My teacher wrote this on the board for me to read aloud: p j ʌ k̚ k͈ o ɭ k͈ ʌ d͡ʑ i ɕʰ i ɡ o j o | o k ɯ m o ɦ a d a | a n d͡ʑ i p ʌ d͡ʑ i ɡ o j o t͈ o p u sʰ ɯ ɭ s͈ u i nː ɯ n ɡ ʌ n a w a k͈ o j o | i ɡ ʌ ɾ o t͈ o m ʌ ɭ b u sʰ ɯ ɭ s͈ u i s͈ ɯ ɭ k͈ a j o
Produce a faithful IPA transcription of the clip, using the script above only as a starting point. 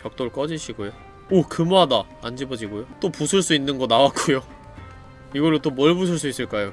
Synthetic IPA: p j ʌ k̚ t͈ o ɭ k͈ ʌ d͡ʑ i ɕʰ i ɡ o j o | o k ɯ m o ɦ a d a | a n d͡ʑ i b ʌ d͡ʑ i ɡ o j o t͈ o p u sʰ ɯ ɭ s͈ u i nː ɯ n ɡ ʌ n a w a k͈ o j o | i ɡ ʌ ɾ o t͈ o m ʌ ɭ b u sʰ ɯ ɭ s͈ u i s͈ ɯ ɭ k͈ a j o

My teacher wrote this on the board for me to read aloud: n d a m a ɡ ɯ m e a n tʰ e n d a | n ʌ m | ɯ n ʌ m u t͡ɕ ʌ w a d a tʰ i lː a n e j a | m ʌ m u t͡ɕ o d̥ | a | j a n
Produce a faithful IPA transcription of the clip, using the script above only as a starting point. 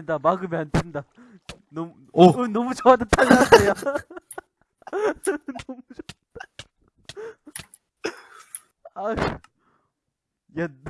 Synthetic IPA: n d a m a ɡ ɯ m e a n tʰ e n d a | n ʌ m | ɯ n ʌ m u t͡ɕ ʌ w a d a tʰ a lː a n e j a | n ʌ m u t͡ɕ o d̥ | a | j a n

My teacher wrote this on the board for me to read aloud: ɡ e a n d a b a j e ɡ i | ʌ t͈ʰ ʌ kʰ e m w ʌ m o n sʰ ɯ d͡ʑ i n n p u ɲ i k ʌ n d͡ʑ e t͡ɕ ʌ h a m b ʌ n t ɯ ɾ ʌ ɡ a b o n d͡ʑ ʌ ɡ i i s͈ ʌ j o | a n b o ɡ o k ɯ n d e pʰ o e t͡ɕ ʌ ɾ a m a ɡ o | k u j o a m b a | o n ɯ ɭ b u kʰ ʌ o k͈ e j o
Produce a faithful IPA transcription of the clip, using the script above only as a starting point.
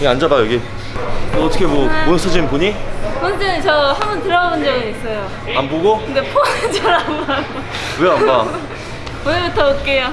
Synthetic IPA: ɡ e a n d͡ʑ a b a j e ɡ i | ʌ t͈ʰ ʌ kʰ e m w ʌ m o n sʰ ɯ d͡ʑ i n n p u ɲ i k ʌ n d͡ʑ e t͡ɕ ʌ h a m b ʌ n t ɯ ɾ ʌ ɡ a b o n d͡ʑ ʌ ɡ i i s͈ ʌ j o | a n b o ɡ o k ɯ n d e pʰ o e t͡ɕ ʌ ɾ a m a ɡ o | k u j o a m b a | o n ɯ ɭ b u tʰ ʌ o k͈ e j o

